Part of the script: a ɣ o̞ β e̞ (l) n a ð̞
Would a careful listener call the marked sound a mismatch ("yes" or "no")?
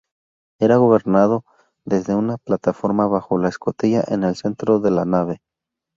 yes